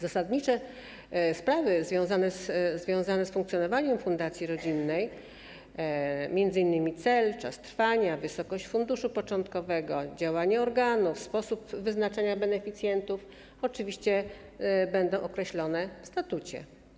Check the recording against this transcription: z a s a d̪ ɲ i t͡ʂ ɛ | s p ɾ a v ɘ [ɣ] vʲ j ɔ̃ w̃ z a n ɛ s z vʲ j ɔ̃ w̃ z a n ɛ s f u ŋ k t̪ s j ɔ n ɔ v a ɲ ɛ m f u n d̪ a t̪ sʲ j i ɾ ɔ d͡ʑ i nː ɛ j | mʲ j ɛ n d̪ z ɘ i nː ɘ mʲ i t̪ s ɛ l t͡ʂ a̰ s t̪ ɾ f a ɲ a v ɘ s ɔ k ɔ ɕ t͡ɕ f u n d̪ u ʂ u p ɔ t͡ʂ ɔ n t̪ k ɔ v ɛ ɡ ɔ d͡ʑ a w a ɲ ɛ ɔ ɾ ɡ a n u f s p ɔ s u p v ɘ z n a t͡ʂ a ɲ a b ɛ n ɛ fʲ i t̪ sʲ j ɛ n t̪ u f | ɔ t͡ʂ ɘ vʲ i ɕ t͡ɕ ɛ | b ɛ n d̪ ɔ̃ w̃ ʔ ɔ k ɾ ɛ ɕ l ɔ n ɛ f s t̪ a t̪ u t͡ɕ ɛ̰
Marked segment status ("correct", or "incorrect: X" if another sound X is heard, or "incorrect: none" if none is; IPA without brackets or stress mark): incorrect: z